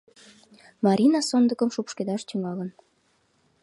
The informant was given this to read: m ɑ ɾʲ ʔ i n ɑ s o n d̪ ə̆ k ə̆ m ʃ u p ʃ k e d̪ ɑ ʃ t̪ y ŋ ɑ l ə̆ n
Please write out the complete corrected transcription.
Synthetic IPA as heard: m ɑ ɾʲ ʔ i n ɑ s o n d̪ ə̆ k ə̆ m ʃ u p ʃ k e d̪ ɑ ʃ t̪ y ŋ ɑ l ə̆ n